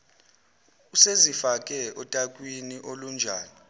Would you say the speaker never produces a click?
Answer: yes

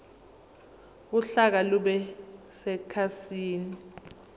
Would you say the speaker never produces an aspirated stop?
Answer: no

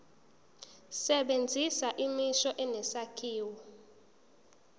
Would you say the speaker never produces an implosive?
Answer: no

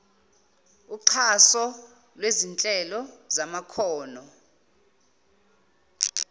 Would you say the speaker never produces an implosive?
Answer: yes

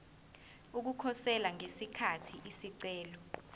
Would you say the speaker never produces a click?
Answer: no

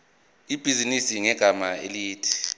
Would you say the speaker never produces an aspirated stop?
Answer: no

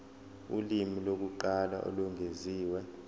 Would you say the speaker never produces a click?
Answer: no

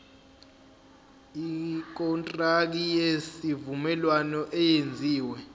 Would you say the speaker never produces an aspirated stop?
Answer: yes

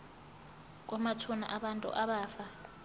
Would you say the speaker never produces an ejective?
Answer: no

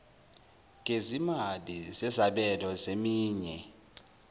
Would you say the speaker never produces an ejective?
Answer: yes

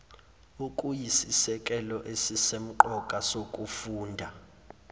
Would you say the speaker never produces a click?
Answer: no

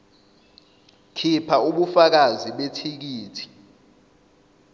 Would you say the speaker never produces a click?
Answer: yes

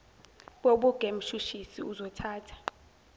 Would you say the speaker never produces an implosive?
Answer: no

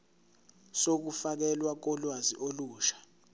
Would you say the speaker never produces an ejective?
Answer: yes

